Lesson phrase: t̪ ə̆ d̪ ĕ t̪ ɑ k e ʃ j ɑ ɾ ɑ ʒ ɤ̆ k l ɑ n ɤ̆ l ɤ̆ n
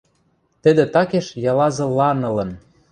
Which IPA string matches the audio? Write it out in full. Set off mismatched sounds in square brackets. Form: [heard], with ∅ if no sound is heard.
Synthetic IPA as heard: t̪ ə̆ d̪ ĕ t̪ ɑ k e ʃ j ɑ [l] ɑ [z] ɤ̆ [∅] l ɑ n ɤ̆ l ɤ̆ n